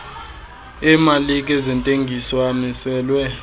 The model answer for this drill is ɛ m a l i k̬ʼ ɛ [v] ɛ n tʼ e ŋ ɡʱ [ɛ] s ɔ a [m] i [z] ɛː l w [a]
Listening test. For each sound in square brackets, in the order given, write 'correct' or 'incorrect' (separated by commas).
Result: incorrect, incorrect, correct, incorrect, incorrect